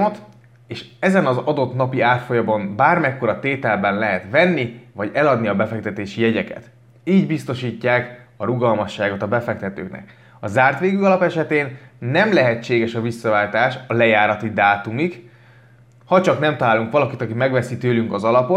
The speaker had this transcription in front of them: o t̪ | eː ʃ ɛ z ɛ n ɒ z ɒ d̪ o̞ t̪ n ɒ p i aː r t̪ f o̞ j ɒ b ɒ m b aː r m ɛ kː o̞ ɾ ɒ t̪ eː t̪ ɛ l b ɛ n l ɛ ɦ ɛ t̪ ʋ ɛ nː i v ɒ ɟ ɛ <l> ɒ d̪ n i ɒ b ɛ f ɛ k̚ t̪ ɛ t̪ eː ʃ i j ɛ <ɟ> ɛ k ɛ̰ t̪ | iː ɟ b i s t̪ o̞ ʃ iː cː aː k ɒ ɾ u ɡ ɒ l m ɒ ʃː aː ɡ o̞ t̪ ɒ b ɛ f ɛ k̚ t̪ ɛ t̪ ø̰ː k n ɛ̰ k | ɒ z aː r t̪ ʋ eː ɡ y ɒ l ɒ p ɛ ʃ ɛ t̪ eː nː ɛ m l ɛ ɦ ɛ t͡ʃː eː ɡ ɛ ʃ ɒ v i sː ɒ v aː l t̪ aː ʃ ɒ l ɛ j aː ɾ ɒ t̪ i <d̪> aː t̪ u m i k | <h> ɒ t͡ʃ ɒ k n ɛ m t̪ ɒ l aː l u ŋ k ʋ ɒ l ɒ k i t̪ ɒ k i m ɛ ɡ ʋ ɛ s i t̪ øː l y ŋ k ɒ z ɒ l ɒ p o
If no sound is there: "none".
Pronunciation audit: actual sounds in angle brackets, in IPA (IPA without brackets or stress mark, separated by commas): l, ɟ, d̪, h